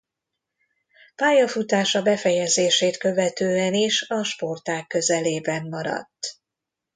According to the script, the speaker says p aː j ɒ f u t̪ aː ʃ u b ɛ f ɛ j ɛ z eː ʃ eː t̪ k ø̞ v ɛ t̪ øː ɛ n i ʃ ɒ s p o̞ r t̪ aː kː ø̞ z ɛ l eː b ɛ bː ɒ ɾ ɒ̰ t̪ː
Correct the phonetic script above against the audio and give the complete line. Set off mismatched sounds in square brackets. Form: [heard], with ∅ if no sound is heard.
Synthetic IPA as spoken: p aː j ɒ f u t̪ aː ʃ [ɒ] b ɛ f ɛ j ɛ z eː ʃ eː t̪ k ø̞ v ɛ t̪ øː ɛ n i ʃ ɒ [ʃ] p o̞ r t̪ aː kː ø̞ z ɛ l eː b ɛ [mː] ɒ ɾ ɒ̰ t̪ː